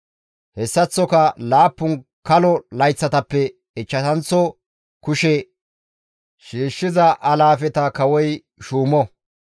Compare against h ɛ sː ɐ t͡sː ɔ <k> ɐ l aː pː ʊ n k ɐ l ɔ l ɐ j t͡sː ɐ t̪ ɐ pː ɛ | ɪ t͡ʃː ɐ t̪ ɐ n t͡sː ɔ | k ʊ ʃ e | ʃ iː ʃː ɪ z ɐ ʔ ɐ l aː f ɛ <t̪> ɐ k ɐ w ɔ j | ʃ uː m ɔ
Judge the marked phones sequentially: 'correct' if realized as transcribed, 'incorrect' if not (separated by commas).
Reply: correct, correct